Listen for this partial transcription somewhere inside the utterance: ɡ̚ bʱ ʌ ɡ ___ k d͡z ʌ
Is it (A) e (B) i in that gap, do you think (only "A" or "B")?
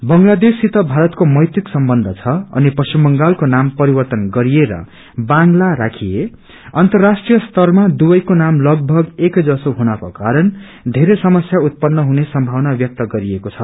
A